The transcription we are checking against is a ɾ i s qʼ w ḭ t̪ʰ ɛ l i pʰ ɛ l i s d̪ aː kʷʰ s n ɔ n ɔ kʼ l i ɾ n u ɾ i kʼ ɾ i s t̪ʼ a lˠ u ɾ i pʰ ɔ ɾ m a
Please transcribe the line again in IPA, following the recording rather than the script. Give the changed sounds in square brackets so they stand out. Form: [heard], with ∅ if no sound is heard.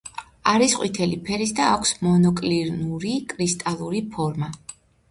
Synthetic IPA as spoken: a ɾ i s qʼ w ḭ t̪ʰ ɛ l i pʰ ɛ [ɾ] i s d̪ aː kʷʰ s [m] ɔ n ɔ kʼ l i ɾ n u ɾ i kʼ ɾ i s t̪ʼ a lˠ u ɾ i pʰ ɔ ɾ m a

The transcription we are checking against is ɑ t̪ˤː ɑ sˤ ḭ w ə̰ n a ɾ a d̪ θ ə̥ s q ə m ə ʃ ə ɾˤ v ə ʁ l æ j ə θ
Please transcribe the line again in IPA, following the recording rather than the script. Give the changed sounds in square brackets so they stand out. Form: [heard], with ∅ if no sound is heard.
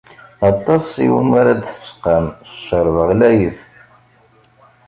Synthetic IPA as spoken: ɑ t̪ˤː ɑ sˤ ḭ w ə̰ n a ɾ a d̪ θ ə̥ s q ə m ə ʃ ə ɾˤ v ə ʁ l æ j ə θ

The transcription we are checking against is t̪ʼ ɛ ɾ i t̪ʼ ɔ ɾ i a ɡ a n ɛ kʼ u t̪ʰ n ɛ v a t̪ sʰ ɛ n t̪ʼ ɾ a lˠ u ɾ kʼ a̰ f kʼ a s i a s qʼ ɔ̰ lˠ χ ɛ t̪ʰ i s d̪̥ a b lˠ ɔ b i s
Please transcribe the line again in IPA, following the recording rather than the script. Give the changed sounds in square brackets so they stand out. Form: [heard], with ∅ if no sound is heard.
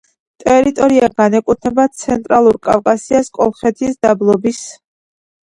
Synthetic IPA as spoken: t̪ʼ ɛ ɾ i t̪ʼ ɔ ɾ i a ɡ a n ɛ kʼ u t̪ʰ n ɛ [b] a t̪ sʰ ɛ n t̪ʼ ɾ a lˠ u ɾ kʼ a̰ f kʼ a s i a s [kʼ] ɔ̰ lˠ χ ɛ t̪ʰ i s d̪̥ a b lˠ ɔ b i s

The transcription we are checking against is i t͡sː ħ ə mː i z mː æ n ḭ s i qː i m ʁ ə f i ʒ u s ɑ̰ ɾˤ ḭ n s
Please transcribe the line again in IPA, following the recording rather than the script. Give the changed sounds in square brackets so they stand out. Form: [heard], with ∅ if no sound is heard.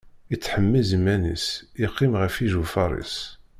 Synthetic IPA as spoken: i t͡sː ħ ə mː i z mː æ n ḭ s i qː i m ʁ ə f i ʒ u [f] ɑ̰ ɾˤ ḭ [∅] s

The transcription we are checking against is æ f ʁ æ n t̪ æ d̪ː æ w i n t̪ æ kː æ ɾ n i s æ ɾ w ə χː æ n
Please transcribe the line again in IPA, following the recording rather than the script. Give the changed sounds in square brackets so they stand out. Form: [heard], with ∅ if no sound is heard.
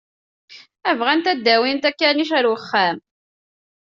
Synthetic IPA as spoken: æ [v] ʁ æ n t̪ æ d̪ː æ w i n t̪ æ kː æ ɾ n i [ʃ] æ ɾ w ə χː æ [m]

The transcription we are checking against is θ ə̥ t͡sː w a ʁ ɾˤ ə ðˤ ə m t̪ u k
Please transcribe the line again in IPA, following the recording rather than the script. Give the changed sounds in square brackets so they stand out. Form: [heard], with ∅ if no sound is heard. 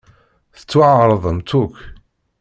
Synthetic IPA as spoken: θ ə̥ t͡sː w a [ʕ] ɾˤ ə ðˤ ə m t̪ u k

